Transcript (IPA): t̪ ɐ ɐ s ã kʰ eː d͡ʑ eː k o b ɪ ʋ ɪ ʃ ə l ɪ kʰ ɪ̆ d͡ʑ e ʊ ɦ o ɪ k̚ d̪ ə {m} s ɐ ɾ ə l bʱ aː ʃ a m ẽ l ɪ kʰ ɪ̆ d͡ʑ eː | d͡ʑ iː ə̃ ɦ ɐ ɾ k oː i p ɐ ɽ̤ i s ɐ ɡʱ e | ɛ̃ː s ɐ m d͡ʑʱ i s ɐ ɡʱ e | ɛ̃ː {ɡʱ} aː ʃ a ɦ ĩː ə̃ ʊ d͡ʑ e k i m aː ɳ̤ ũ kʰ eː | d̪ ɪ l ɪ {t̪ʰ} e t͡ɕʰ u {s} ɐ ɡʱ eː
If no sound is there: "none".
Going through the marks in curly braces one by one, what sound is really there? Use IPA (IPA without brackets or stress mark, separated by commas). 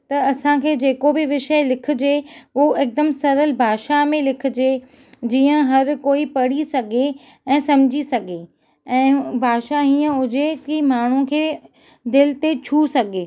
m, bʱ, t̪, s